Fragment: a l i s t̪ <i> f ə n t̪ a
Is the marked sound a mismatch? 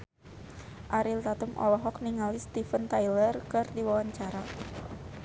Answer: no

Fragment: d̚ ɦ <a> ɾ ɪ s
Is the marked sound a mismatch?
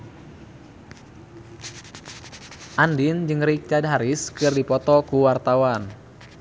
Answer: no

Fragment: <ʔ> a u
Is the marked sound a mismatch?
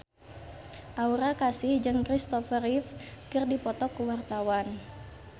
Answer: no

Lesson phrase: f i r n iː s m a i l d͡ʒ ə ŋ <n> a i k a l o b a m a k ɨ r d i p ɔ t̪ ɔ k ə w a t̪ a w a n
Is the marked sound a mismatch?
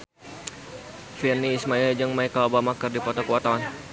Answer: yes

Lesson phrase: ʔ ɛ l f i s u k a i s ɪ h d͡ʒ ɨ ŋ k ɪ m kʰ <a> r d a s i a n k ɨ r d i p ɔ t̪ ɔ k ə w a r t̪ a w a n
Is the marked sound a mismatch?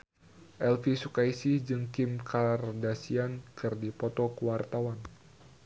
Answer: no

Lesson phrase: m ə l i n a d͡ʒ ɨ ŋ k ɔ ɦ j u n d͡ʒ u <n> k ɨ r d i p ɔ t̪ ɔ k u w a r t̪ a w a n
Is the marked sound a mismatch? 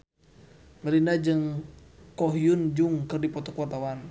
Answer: yes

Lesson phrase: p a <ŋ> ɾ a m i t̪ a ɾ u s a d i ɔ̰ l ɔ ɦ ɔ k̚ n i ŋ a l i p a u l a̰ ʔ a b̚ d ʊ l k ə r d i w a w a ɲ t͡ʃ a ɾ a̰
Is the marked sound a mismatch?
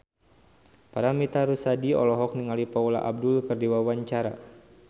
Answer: yes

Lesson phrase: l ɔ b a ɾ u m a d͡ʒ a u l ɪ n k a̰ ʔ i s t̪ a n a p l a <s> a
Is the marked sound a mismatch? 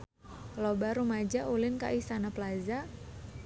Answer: yes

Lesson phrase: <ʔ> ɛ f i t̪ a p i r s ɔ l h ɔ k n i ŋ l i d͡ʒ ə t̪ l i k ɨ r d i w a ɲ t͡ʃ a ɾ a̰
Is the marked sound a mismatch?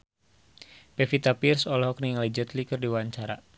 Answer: yes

